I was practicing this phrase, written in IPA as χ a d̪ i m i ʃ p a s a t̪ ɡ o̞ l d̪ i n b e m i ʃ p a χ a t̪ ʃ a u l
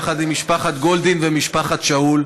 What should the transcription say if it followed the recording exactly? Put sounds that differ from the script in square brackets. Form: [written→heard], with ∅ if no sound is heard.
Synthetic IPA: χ a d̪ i m i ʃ p a [s→χ] a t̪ ɡ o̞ l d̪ i n [b→v] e m i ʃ p a χ a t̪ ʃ a u l